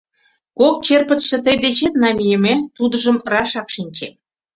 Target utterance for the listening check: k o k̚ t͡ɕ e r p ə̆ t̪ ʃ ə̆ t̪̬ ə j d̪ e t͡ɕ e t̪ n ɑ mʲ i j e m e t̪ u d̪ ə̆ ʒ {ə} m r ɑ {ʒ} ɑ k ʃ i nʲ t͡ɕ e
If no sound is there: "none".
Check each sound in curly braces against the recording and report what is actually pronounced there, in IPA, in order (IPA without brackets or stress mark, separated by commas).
ə, ʃ